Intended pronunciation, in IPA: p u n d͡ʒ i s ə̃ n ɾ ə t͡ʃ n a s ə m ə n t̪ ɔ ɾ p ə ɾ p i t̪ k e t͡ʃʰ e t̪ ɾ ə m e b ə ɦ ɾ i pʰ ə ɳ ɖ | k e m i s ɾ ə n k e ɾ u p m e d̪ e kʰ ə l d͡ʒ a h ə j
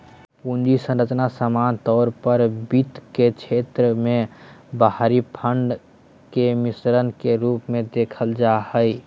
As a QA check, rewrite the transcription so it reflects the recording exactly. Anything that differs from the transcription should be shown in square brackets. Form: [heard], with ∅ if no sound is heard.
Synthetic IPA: p u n d͡ʒ i s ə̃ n ɾ ə t͡ʃ n a s ə m [a] n t̪ ɔ ɾ p ə ɾ [b] i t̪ k e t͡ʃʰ e t̪ ɾ ə m e b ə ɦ ɾ i pʰ ə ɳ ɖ | k e m i s ɾ ə n k e ɾ u p m e d̪ e kʰ ə l d͡ʒ a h ə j

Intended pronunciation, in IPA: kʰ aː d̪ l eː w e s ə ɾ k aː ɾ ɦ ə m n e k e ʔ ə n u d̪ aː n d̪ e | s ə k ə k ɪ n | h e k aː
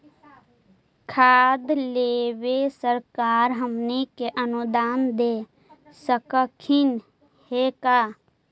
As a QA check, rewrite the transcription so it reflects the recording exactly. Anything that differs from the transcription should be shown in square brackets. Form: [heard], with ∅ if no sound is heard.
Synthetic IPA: kʰ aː d̪ l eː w e s ə ɾ k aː ɾ ɦ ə m n e k e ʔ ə n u d̪ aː n d̪ e | s ə k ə [kʰ] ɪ n | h e k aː

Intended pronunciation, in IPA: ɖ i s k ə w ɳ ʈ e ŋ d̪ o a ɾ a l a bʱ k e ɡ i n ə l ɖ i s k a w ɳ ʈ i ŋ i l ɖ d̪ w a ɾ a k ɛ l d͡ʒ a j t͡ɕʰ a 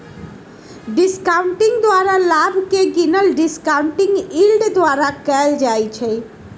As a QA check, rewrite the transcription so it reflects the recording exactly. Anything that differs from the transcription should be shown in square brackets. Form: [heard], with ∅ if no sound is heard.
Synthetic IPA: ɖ i s k [a] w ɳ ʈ [i] ŋ d̪ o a ɾ a l a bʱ k e ɡ i n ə l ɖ i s k a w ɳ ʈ i ŋ i l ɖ d̪ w a ɾ a k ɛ l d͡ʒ a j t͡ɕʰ [e]

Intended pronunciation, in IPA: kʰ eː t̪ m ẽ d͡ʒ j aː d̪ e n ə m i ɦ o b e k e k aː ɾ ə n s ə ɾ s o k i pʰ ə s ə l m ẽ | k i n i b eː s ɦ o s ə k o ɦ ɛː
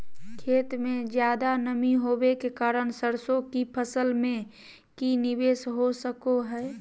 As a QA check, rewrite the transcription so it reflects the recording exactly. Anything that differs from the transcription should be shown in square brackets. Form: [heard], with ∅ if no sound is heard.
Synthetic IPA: kʰ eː t̪ m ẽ d͡ʒ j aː d̪ [a] n ə m i ɦ o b e k e k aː ɾ ə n s ə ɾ s o k i pʰ ə s ə l m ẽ | k i n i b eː s ɦ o s ə k o ɦ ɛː

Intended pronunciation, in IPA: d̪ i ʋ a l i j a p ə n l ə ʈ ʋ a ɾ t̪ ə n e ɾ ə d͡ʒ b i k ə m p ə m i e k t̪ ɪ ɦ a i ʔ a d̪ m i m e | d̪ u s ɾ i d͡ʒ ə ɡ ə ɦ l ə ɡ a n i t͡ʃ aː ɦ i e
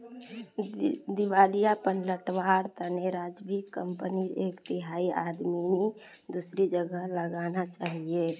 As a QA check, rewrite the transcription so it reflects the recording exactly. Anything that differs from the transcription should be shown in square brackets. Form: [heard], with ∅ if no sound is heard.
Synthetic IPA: d̪ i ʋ a l i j a p ə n l ə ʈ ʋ a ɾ t̪ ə n e ɾ [a] d͡ʒ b i k ə m p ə [n] i e k t̪ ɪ ɦ a i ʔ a d̪ m i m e | d̪ u s ɾ i d͡ʒ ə ɡ ə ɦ l ə ɡ a n [a] t͡ʃ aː ɦ i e

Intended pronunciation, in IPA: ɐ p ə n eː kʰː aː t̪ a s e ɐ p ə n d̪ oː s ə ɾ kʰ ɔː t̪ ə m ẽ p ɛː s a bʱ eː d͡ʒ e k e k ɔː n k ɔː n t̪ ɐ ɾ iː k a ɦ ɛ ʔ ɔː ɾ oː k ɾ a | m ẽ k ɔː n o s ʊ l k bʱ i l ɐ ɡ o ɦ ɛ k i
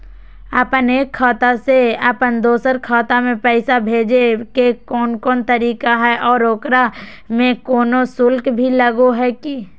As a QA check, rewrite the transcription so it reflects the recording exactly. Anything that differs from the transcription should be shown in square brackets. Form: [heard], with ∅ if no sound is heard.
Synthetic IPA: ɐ p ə n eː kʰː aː t̪ a s e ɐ p ə n d̪ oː s ə ɾ kʰ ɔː t̪ [a] m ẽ p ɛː s a bʱ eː d͡ʒ e k e k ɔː n k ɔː n t̪ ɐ ɾ iː k a ɦ ɛ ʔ ɔː ɾ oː k ɾ a | m ẽ k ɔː n o s ʊ l k bʱ i l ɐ ɡ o ɦ ɛ k i

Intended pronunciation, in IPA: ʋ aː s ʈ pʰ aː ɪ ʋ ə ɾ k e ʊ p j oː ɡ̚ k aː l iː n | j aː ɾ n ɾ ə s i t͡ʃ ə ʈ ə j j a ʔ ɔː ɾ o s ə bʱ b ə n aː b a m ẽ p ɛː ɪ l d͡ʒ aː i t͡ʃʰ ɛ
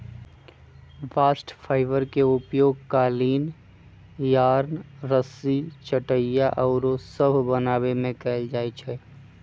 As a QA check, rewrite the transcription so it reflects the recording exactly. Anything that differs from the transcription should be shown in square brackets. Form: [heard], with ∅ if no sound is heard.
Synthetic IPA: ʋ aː s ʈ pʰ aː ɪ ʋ ə ɾ k e ʊ p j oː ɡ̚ k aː l iː n | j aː ɾ n ɾ ə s i t͡ʃ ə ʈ ə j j a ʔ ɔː ɾ o s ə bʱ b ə n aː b [e] m ẽ [k] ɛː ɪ l d͡ʒ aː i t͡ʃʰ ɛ

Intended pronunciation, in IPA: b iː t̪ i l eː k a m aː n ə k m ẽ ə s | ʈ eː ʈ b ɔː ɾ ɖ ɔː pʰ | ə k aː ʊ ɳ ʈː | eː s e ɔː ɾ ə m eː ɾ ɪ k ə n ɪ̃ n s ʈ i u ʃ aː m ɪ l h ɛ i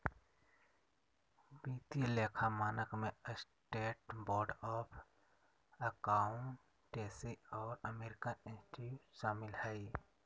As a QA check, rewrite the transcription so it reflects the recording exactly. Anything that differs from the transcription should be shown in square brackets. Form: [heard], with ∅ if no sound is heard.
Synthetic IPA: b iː t̪ i l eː [kʰ] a m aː n ə k m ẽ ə s | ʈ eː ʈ b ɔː ɾ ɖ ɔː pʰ | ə k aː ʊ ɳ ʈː | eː s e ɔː ɾ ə m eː ɾ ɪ k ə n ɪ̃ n s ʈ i u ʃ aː m ɪ l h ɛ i

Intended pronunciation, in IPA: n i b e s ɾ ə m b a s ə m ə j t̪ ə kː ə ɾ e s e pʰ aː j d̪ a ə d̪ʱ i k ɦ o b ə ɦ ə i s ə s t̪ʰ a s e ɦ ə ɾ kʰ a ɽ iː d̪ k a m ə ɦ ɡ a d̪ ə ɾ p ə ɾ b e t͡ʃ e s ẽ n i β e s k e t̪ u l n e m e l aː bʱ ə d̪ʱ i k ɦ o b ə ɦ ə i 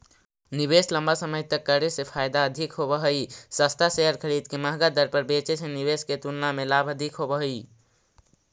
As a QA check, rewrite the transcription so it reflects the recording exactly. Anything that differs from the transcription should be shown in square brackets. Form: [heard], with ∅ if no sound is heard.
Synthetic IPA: n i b e s [l] ə m b a s ə m ə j t̪ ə kː ə ɾ e s e pʰ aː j d̪ a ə d̪ʱ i k ɦ o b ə ɦ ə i s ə s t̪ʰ a s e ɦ ə ɾ kʰ [ə] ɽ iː d̪ k [e] m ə ɦ ɡ a d̪ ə ɾ p ə ɾ b e t͡ʃ e s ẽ n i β e s k e t̪ u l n [a] m e l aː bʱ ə d̪ʱ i k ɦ o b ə ɦ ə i

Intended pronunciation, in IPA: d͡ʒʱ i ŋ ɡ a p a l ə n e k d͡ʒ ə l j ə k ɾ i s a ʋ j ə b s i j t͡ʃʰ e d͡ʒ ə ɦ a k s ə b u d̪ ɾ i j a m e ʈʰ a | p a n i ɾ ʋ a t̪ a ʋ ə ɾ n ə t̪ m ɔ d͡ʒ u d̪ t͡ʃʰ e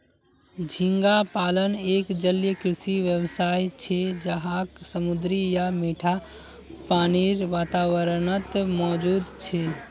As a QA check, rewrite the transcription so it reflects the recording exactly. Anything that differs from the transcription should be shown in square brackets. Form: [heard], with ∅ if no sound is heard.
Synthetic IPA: d͡ʒʱ i ŋ ɡ a p a l ə n e k d͡ʒ ə l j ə k ɾ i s [i] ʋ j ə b s [a] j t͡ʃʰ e d͡ʒ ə ɦ a k s ə [m] u d̪ ɾ i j a m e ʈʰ a | p a n i ɾ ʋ a t̪ a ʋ ə ɾ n ə t̪ m ɔ d͡ʒ u d̪ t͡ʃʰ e

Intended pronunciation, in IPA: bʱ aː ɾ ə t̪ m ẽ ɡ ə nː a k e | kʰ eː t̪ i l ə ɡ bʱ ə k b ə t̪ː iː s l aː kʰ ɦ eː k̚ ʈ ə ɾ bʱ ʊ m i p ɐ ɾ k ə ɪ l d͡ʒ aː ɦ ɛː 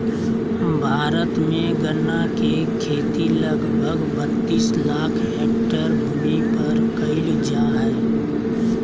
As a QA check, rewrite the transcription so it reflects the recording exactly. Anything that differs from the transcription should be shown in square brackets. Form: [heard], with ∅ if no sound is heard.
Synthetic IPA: bʱ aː ɾ ə t̪ m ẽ ɡ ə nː a k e | kʰ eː t̪ i l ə ɡ bʱ ə [ɡ] b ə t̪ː iː s l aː kʰ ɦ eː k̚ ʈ ə ɾ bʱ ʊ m i p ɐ ɾ k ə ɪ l d͡ʒ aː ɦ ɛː

